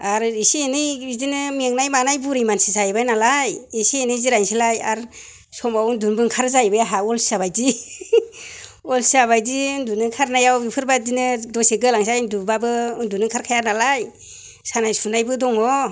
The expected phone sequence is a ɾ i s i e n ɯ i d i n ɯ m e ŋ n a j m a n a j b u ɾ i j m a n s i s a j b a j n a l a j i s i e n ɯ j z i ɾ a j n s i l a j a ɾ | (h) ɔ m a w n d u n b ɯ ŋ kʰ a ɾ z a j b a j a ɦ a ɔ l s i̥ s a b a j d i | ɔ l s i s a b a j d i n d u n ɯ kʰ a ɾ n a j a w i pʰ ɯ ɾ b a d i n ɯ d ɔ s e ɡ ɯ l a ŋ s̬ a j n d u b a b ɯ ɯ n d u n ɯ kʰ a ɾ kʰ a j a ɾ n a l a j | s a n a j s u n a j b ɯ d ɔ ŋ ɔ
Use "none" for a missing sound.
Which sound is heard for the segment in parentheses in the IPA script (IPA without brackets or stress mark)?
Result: s